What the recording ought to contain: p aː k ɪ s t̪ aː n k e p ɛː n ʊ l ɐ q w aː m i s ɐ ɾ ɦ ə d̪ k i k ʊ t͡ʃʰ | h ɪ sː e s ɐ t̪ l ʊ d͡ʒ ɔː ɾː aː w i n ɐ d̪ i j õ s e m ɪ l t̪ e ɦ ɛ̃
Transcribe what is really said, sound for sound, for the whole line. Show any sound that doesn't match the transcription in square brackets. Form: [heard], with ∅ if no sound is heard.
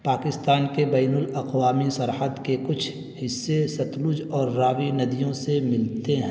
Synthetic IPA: p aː k ɪ s t̪ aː n k e [b] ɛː n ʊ l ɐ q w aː m i s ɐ ɾ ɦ ə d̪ k [e] k ʊ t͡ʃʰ | h ɪ sː e s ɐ t̪ l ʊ d͡ʒ ɔː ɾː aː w i n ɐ d̪ i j õ s e m ɪ l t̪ e ɦ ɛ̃

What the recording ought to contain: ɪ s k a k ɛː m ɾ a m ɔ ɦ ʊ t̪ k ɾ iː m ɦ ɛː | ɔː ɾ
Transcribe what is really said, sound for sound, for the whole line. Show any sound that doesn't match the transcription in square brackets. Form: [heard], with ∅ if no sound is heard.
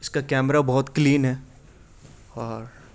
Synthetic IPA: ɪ s k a k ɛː m ɾ a [b] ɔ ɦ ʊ t̪ k [l] iː [n] ɦ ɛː | ɔː ɾ

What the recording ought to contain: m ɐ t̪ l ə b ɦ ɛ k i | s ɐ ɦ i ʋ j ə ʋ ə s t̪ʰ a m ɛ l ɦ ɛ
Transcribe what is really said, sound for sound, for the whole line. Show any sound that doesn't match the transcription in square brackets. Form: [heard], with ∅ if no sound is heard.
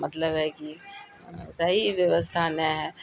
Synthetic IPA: m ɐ t̪ l ə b ɦ ɛ k i | s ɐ ɦ i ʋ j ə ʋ ə s t̪ʰ a [n] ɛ [∅] ɦ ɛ

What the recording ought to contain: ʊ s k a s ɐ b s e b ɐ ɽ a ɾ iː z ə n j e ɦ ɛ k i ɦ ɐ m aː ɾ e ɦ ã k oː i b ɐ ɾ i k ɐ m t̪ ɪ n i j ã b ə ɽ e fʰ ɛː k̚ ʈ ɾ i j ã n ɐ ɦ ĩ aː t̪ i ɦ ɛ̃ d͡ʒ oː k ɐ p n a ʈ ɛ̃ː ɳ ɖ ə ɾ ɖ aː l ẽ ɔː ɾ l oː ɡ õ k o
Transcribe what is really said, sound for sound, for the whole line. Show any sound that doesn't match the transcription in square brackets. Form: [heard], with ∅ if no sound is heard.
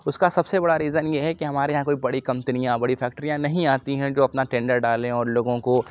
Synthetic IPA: ʊ s k a s ɐ b s e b ɐ ɽ a ɾ iː z ə n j e ɦ ɛ k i ɦ ɐ m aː ɾ e ɦ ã k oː i b ɐ [ɽ] i k ɐ m t̪ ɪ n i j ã b [ɐ] ɽ [i] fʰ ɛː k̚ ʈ ɾ i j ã n ɐ ɦ ĩ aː t̪ i ɦ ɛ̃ d͡ʒ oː [∅] ɐ p n a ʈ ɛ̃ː ɳ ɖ ə ɾ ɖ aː l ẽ ɔː ɾ l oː ɡ õ k o

